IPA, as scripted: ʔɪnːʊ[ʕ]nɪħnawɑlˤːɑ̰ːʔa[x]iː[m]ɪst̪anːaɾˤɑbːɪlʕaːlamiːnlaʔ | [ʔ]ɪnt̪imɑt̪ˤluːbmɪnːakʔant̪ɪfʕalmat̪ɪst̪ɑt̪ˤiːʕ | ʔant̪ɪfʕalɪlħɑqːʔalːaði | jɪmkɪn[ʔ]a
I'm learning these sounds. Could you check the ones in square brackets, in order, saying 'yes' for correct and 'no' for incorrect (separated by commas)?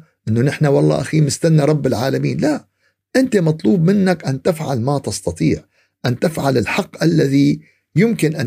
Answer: no, yes, yes, yes, yes